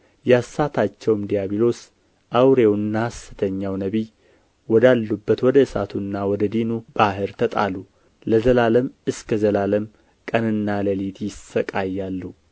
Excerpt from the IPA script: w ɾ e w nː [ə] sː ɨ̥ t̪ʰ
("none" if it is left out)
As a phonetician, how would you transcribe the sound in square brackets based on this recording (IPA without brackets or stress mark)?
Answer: a